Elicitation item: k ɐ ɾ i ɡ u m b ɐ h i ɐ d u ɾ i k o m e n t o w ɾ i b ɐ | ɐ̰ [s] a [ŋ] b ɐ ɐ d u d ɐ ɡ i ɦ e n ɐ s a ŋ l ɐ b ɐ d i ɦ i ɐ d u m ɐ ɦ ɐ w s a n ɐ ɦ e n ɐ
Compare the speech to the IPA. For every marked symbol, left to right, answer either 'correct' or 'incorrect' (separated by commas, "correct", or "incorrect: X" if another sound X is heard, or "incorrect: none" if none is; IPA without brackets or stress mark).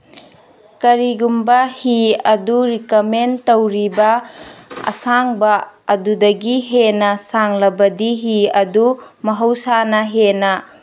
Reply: correct, correct